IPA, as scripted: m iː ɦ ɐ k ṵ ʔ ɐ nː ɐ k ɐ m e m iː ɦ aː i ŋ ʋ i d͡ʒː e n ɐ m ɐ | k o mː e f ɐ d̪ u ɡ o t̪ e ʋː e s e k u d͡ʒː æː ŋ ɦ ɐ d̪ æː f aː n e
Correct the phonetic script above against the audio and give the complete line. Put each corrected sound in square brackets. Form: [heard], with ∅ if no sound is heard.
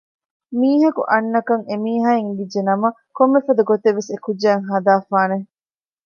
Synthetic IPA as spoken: m iː ɦ ɐ k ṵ ʔ ɐ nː ɐ k ɐ [ŋ] e m iː ɦ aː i ŋ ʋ i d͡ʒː e n ɐ m ɐ | k o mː e f ɐ d̪ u ɡ o t̪ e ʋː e s e k u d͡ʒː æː ŋ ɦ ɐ d̪ [aː] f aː n e